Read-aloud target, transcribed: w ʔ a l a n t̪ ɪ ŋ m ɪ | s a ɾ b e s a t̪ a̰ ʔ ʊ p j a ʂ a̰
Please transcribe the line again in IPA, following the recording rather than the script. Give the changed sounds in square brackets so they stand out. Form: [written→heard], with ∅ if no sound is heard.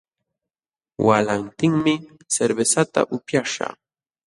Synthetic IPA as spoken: w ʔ a l a n t̪ ɪ ŋ m ɪ | s [a→e] ɾ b e s a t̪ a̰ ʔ ʊ p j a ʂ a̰